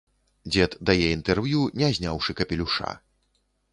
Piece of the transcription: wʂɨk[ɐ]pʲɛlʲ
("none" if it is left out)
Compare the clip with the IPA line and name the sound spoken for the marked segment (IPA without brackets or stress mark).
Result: ɐ